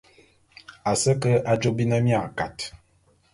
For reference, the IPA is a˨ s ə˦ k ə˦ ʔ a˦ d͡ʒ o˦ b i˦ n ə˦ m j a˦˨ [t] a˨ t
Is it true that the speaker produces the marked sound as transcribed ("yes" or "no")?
no